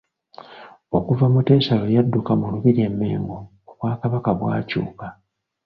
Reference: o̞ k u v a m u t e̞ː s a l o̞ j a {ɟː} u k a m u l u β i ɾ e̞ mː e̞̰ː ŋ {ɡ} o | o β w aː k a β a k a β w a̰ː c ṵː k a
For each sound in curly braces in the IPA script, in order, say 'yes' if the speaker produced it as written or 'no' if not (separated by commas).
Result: no, yes